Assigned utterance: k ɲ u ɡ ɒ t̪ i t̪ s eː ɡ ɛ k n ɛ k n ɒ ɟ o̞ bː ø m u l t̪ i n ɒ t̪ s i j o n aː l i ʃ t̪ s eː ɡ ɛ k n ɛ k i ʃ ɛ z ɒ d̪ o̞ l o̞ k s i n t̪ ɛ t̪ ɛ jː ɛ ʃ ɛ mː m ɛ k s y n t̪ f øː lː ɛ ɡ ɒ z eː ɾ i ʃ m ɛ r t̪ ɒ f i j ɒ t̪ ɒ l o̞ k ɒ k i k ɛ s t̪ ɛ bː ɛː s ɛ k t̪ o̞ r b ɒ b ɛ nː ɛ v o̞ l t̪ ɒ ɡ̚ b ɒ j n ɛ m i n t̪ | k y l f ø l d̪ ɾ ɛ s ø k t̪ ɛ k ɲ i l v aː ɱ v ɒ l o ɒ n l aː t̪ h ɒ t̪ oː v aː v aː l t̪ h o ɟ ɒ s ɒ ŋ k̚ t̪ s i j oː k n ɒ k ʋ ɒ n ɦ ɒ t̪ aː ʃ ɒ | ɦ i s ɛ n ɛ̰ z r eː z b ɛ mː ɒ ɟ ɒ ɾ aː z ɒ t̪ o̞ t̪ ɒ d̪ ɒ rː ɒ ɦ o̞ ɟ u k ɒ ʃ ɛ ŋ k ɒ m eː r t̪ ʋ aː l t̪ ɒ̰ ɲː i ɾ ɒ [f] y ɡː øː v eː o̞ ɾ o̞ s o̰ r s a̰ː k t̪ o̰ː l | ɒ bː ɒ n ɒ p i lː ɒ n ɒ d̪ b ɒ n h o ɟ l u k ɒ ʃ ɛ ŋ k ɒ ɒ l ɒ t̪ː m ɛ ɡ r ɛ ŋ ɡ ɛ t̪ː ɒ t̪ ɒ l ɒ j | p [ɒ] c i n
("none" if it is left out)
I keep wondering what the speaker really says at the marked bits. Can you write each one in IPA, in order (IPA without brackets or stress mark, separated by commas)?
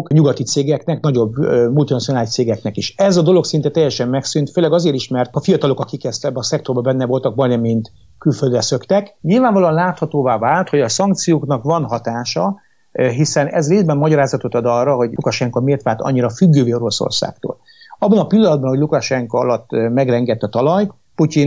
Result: f, u